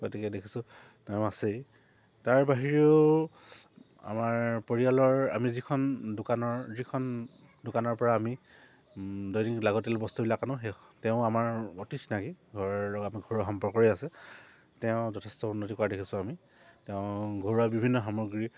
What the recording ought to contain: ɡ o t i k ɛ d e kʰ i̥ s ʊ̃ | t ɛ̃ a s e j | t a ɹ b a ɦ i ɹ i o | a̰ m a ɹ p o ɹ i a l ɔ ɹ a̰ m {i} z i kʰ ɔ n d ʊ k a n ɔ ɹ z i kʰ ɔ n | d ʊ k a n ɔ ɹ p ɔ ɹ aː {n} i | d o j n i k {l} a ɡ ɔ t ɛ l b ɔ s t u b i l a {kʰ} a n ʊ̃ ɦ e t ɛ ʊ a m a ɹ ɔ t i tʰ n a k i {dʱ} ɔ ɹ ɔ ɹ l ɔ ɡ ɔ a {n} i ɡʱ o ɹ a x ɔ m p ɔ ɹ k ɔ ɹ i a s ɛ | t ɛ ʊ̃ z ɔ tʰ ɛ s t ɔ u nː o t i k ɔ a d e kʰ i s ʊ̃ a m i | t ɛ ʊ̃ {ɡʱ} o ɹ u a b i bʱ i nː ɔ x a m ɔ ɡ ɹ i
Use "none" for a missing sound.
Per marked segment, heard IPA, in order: i, m, l, k, ɡʱ, m, ɡʱ

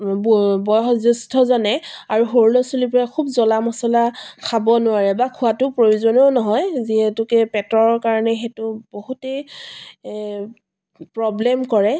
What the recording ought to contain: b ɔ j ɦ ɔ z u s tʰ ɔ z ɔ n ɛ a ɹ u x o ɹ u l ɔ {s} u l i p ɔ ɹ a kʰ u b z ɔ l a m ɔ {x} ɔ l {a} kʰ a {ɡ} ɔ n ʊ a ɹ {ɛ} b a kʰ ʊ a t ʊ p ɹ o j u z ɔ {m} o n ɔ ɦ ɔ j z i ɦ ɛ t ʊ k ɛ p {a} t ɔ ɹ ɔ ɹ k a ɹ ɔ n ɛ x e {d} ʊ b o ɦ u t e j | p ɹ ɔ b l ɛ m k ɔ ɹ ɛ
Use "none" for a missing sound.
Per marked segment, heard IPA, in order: s, s, a, b, ɛ, n, ɛ, t

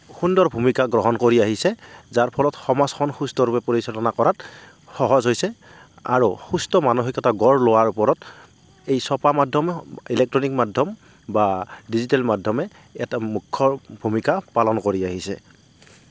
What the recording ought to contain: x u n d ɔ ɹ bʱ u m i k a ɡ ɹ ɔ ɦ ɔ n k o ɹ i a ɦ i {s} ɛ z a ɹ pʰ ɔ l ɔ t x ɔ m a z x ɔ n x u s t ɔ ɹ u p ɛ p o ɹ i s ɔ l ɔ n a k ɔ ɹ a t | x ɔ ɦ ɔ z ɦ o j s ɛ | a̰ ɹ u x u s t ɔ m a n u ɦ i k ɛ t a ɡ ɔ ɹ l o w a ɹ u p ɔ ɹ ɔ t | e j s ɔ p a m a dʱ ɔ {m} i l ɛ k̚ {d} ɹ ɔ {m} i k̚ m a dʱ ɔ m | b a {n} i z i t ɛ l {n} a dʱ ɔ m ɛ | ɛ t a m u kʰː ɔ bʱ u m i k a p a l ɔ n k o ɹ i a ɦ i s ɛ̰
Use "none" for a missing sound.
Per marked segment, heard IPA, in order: s, m, t, n, d, m

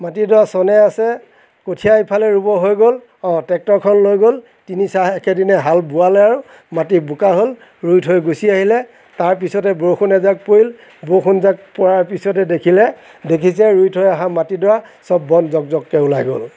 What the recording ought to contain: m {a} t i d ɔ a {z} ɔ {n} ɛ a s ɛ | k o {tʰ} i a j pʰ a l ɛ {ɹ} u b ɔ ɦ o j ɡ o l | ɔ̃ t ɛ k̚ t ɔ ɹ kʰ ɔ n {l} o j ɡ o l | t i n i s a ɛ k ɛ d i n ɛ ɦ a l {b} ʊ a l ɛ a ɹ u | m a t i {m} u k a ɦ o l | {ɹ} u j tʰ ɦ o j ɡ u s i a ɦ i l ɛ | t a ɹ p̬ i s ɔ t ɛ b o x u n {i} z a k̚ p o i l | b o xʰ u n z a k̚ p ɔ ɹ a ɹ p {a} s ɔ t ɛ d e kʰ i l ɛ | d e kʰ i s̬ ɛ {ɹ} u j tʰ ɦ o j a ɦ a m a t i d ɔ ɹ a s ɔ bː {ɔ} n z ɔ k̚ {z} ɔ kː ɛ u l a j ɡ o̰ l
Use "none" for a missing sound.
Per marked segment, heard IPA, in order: a, s, n, tʰ, ɹ, l, b, b, ɹ, ɛ, i, ɹ, ɔ, z

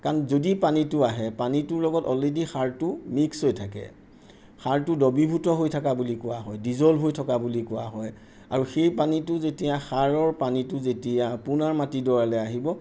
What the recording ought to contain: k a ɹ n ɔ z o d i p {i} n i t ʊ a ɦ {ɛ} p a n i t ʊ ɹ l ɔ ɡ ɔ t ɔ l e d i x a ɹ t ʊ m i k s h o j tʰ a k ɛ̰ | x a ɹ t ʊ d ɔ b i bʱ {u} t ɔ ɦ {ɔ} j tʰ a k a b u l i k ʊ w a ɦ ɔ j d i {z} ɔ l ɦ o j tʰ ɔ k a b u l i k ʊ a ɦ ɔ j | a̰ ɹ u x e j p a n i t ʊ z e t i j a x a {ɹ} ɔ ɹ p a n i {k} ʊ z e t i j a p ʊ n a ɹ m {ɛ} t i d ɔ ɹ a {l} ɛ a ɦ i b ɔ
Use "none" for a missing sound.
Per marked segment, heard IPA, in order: a, ɛ, u, o, z, ɹ, t, a, l

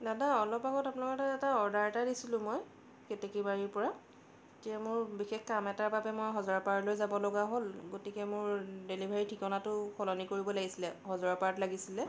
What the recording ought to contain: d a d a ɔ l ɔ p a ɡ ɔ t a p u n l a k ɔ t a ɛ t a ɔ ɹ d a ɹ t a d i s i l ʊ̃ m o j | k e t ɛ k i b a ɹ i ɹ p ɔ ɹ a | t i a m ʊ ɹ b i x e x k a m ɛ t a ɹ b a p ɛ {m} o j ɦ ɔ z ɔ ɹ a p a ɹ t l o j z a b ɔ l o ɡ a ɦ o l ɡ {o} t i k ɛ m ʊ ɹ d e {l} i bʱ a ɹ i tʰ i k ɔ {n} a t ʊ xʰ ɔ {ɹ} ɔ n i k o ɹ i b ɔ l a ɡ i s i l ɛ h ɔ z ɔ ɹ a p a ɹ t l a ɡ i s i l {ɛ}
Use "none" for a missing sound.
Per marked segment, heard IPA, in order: m, o, l, n, l, ɛ

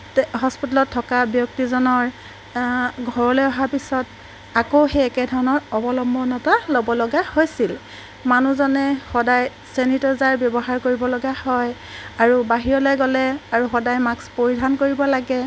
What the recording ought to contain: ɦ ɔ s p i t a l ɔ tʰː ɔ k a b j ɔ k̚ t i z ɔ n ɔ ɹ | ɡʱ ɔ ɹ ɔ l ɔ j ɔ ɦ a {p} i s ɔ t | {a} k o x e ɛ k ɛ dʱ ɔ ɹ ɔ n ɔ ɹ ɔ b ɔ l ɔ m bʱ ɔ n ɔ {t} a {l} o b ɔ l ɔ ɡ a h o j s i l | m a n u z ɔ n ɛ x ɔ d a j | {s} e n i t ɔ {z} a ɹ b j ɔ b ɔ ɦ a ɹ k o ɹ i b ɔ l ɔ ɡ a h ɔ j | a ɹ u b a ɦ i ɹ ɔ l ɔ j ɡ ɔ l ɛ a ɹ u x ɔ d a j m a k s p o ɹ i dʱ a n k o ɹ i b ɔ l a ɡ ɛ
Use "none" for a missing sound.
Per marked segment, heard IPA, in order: p, a, t, l, s, z

